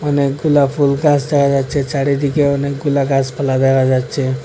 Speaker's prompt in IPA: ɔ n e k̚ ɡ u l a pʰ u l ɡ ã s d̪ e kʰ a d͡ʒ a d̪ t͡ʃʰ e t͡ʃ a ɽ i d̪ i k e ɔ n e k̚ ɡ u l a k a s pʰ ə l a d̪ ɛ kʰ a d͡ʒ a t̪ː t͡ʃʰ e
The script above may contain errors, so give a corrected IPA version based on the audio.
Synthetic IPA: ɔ n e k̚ ɡ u l a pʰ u l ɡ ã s d̪ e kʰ a d͡ʒ a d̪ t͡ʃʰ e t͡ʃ a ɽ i d̪ i k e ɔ n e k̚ ɡ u l a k a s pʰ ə l a d̪ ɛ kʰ a d͡ʒ a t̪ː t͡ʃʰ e